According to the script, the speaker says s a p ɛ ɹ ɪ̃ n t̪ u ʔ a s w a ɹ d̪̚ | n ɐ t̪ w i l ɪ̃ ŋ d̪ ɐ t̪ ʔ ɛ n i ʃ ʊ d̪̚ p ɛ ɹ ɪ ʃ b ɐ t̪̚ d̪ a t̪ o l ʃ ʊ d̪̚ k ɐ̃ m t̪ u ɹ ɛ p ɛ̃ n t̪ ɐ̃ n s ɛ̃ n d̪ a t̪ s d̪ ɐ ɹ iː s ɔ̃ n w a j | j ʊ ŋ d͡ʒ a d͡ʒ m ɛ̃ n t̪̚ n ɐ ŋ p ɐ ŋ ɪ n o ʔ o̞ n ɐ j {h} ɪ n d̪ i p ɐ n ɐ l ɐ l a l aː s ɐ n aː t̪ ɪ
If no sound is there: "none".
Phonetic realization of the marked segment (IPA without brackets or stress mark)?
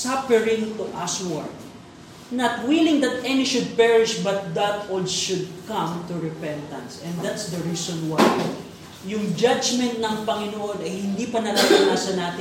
h